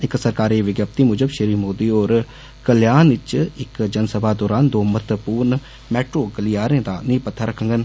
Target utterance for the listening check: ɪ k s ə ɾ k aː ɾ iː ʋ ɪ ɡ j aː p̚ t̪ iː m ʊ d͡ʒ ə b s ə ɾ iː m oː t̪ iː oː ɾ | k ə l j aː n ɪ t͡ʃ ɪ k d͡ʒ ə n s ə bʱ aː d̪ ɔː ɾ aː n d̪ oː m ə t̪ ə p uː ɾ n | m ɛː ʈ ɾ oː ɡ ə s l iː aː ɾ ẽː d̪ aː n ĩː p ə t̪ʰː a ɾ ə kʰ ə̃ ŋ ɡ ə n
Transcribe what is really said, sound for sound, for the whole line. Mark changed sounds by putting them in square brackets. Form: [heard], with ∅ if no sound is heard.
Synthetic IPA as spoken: ɪ k s ə ɾ k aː ɾ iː ʋ ɪ ɡ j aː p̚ t̪ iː m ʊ d͡ʒ ə b [ʃ] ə ɾ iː m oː [d̪] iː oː ɾ | k ə l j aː n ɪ t͡ʃ ɪ k d͡ʒ ə n s ə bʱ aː d̪ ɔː ɾ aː n d̪ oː m ə t̪ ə p uː ɾ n | m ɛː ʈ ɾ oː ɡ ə [∅] l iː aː ɾ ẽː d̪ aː n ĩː p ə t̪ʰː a ɾ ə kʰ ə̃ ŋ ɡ ə n

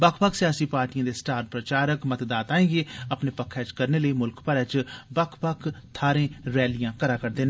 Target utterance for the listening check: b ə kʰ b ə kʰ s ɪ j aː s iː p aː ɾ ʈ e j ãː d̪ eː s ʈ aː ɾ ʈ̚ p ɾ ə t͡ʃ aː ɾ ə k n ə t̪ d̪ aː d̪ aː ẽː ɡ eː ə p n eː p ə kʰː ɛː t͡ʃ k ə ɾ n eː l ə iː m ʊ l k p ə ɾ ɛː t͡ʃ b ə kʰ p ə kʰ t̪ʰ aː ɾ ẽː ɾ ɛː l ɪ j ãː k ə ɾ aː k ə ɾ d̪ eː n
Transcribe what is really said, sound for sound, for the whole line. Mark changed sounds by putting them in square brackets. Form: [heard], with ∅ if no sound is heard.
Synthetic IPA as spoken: b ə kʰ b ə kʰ s ɪ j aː s iː p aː ɾ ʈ [i] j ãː d̪ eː s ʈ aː ɾ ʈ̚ p ɾ ə t͡ʃ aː ɾ ə k [m] ə t̪ d̪ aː [t̪] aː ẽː ɡ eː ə p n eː p ə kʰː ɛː t͡ʃ k ə ɾ n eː l ə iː m ʊ l k p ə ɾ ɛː t͡ʃ b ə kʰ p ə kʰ t̪ʰ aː ɾ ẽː ɾ ɛː l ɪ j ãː k ə ɾ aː k ə ɾ d̪ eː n

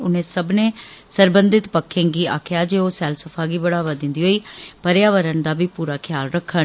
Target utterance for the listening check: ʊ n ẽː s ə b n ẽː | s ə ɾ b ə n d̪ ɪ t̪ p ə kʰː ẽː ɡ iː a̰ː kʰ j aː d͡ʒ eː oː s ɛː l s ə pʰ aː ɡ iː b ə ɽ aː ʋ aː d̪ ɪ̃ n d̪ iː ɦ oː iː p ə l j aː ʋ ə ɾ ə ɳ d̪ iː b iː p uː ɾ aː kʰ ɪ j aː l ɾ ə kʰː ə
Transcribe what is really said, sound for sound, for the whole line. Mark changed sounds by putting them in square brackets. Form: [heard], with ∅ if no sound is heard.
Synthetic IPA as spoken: ʊ n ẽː s ə b n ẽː | s ə ɾ b ə n d̪ ɪ t̪ p ə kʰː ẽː ɡ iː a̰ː kʰ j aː d͡ʒ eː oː s ɛː l s ə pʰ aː ɡ iː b ə ɽ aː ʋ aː d̪ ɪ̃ n d̪ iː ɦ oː iː p ə [ɾ] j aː ʋ ə ɾ ə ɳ d̪ [aː] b iː p uː ɾ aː kʰ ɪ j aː l ɾ ə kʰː ə

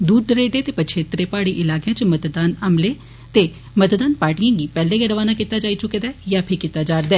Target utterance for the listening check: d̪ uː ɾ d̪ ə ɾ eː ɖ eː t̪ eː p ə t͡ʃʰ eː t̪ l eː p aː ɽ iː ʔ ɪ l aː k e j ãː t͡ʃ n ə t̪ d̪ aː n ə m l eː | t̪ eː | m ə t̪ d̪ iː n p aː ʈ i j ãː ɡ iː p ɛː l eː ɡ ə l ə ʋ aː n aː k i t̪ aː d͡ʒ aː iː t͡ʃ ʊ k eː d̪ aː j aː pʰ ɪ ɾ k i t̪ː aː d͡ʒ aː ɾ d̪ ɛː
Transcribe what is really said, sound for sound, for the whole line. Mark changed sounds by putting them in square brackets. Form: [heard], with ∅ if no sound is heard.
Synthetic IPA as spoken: d̪ uː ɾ d̪ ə ɾ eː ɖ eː t̪ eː p ə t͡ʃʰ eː t̪ [ɾ] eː p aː ɽ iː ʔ ɪ l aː k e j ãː t͡ʃ [m] ə t̪ d̪ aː n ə m l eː | t̪ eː | m ə t̪ d̪ [aː] n p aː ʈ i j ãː ɡ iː p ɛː l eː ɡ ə [ɾ] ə ʋ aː n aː k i t̪ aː d͡ʒ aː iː t͡ʃ ʊ k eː d̪ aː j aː pʰ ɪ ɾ k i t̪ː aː d͡ʒ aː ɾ d̪ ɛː

